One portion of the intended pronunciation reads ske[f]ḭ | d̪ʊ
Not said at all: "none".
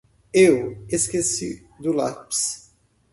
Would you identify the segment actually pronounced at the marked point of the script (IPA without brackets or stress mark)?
s